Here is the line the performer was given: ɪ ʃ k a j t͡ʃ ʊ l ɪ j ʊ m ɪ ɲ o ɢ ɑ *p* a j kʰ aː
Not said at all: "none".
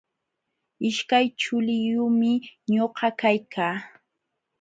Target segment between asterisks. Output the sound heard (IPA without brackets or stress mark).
k